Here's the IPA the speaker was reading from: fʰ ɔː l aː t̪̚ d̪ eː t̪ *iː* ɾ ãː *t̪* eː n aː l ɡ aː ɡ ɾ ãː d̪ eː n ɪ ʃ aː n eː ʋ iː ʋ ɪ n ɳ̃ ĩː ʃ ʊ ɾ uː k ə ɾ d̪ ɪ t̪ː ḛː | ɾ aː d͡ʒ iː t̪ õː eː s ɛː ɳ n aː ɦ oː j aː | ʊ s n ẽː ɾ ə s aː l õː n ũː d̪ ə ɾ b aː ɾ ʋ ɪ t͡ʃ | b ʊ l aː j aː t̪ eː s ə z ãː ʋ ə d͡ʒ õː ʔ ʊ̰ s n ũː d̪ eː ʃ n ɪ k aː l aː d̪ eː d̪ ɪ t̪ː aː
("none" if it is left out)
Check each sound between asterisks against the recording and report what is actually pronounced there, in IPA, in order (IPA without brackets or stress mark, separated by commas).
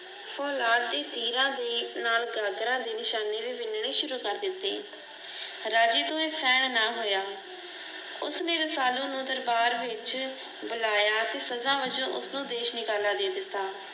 iː, d̪